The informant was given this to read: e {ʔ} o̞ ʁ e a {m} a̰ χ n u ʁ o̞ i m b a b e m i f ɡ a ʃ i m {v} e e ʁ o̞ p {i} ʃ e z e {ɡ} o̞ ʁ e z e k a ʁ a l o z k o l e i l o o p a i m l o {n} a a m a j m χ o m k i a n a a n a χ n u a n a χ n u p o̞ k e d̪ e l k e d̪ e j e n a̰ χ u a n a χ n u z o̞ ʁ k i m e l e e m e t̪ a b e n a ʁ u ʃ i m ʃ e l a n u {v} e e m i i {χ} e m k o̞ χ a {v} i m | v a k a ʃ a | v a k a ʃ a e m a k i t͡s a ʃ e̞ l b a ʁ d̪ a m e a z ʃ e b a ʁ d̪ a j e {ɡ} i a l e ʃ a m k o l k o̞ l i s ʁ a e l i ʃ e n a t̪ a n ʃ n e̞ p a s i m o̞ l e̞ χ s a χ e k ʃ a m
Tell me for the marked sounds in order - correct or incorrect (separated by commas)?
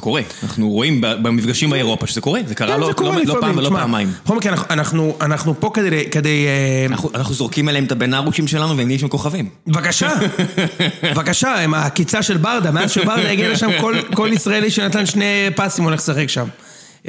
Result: incorrect, incorrect, incorrect, incorrect, incorrect, incorrect, correct, incorrect, correct, correct